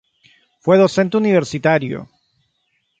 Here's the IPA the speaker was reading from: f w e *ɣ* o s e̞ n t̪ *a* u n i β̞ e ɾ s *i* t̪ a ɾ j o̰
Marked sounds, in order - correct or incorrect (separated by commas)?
incorrect, incorrect, correct